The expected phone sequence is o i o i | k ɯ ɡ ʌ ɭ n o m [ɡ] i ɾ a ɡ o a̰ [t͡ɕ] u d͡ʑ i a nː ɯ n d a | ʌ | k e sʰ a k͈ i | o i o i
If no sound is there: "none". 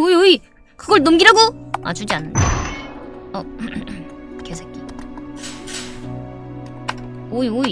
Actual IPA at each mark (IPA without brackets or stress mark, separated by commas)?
ɡ, t͡ɕ